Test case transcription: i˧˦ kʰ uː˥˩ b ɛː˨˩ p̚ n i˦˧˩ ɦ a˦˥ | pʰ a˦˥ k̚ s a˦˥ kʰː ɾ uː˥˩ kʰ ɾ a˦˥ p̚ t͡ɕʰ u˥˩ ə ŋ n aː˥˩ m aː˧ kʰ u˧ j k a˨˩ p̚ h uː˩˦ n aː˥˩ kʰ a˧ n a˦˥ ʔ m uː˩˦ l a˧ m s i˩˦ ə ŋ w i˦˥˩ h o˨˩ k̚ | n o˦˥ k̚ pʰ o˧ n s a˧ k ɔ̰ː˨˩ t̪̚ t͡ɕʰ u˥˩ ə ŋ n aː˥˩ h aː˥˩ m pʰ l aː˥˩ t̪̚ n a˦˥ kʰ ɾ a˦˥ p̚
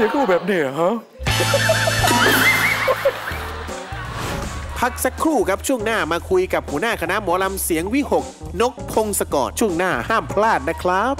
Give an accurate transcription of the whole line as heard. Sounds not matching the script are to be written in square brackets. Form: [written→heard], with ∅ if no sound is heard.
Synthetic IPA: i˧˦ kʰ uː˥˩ b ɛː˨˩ p̚ n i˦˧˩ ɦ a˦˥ | pʰ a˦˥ k̚ s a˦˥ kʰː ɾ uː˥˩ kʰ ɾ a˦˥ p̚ t͡ɕʰ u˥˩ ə ŋ n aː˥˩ m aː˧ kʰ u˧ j k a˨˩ p̚ h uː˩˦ n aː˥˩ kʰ a˧ n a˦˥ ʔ m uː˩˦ l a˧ m s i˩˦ ə ŋ w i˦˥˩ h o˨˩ k̚ | n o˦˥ k̚ pʰ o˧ [n→ŋ] s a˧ k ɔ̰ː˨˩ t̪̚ t͡ɕʰ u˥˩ ə ŋ n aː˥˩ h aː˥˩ m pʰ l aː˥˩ t̪̚ n a˦˥ kʰ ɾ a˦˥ p̚